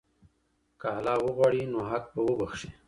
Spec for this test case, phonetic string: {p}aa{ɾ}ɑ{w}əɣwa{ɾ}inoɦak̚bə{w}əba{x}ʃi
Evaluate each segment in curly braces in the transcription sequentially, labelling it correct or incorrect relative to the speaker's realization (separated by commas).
incorrect, incorrect, correct, incorrect, correct, correct